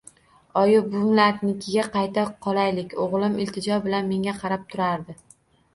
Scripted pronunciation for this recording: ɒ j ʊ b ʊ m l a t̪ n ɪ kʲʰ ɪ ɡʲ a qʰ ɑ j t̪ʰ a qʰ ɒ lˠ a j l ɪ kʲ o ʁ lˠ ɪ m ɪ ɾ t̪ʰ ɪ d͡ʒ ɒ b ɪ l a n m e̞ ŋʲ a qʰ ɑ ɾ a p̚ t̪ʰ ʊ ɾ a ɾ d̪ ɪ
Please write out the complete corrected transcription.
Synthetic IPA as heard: ɒ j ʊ b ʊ m l a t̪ n ɪ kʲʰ ɪ ɡʲ a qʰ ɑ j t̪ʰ a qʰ ɒ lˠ a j l ɪ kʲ o ʁ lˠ ɪ m ɪ l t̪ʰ ɪ d͡ʒ ɒ b ɪ l a n m e̞ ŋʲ a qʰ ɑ ɾ a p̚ t̪ʰ ʊ ɾ a ɾ d̪ ɪ

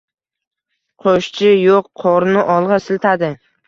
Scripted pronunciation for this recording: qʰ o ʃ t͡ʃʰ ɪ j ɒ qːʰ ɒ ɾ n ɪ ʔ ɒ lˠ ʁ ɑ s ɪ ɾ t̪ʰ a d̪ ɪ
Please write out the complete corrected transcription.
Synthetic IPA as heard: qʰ o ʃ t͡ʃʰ ɪ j o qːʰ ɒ ɾ n ɪ ʔ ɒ lˠ ʁ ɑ s ɪ l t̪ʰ a d̪ ɪ

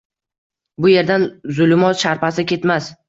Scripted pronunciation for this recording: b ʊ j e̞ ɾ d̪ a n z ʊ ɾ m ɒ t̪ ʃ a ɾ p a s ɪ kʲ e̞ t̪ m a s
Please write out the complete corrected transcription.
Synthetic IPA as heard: b ʊ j e̞ ɾ d̪ a n z ʊ l m ɒ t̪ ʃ a ɾ p a s ɪ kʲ e̞ t̪ m a s

